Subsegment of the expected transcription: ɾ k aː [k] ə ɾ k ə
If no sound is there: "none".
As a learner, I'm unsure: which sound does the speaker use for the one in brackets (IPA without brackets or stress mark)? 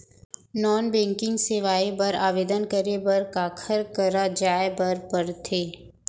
kʰ